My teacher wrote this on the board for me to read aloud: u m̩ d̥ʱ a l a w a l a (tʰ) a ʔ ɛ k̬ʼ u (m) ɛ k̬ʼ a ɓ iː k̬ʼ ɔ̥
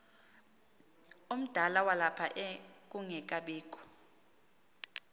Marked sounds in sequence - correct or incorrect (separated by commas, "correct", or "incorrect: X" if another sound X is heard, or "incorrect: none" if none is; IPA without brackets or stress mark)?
incorrect: pʰ, incorrect: ŋ